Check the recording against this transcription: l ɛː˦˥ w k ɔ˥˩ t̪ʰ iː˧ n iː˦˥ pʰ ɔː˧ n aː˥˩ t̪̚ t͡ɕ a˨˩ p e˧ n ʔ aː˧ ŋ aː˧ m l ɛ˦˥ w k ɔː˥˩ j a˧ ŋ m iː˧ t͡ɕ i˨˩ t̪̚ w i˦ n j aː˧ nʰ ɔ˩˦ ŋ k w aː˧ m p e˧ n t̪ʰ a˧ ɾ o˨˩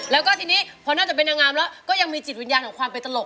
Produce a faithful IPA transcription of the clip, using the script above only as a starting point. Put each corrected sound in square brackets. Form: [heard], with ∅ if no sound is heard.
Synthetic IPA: l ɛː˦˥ w k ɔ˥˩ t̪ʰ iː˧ n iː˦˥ pʰ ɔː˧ n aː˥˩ [∅] t͡ɕ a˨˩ p e˧ n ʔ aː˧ ŋ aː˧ m l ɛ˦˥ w k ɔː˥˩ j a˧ ŋ m iː˧ t͡ɕ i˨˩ t̪̚ w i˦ n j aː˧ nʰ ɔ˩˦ ŋ k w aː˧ m p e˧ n [t̪] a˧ [l] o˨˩